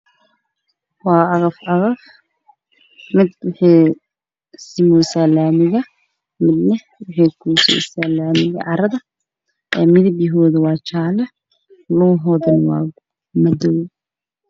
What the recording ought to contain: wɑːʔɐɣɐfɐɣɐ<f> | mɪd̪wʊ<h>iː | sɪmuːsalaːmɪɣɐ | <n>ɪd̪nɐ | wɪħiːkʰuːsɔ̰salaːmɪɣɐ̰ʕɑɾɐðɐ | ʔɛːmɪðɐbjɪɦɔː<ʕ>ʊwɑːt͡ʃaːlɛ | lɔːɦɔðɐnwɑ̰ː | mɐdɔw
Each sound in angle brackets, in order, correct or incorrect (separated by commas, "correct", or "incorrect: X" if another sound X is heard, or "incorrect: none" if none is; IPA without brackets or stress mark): correct, incorrect: ħ, incorrect: m, incorrect: ð